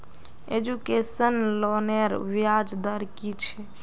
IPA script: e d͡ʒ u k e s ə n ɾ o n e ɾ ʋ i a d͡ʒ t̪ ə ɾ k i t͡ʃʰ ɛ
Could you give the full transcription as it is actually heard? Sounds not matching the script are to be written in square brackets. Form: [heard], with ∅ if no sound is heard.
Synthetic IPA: e d͡ʒ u k e s ə n [l] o n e ɾ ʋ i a d͡ʒ [d̪] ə ɾ k i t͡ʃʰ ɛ